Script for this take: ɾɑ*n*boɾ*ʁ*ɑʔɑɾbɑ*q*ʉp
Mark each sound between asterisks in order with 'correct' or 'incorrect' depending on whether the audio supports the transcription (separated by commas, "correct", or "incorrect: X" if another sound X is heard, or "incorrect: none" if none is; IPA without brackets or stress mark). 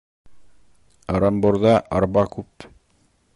incorrect: m, incorrect: ð, incorrect: k